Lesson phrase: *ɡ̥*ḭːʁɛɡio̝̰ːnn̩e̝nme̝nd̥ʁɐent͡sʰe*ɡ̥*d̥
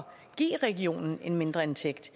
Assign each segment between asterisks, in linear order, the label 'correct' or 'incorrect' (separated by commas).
correct, correct